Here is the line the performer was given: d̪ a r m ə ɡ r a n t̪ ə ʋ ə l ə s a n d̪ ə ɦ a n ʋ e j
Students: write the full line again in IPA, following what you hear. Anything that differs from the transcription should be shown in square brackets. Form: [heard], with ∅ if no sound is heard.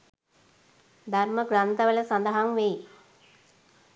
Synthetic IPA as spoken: d̪ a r m ə ɡ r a n t̪ ə ʋ ə l ə s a n d̪ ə ɦ a [ŋ] ʋ e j